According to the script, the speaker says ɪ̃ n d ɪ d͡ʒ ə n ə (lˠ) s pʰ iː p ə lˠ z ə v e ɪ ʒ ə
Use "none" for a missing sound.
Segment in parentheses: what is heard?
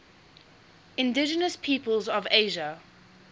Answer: none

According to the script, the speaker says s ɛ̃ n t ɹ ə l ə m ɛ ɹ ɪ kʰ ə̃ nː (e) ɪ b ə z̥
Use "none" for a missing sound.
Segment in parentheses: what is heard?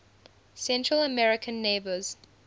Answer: e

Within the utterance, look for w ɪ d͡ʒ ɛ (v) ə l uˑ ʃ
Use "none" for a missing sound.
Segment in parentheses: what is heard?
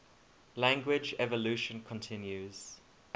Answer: v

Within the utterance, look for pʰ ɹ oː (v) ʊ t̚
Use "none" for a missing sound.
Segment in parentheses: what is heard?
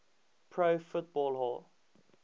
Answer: f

